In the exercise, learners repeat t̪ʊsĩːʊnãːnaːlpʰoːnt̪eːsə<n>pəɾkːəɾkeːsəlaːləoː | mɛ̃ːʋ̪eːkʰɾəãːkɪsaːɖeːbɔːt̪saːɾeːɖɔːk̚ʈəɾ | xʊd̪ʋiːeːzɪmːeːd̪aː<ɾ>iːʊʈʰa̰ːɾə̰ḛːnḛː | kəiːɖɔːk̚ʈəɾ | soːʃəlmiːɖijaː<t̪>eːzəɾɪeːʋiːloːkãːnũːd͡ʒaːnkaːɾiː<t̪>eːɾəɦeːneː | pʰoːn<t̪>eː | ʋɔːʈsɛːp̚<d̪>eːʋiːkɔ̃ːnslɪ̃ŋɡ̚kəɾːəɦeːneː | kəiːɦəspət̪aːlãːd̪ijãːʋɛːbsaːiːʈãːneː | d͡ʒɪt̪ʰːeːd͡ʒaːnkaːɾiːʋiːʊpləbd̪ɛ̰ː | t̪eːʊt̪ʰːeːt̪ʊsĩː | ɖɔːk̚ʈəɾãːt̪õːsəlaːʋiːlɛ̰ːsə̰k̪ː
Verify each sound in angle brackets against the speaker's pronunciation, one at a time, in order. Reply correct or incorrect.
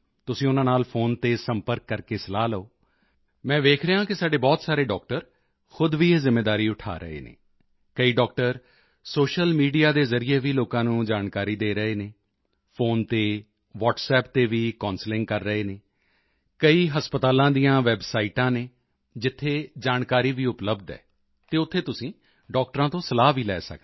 incorrect, correct, incorrect, incorrect, correct, incorrect

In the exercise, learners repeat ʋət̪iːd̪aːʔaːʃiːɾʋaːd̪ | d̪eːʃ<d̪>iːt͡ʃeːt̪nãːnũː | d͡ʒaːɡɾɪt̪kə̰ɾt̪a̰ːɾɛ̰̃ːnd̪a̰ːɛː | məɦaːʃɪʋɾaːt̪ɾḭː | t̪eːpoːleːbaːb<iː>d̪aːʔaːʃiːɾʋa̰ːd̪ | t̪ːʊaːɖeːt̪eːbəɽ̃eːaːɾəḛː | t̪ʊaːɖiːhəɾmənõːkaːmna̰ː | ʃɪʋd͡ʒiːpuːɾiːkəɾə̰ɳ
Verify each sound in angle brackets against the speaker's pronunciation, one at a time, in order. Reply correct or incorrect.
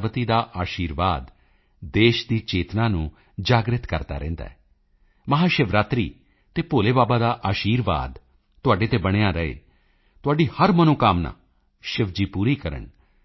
correct, incorrect

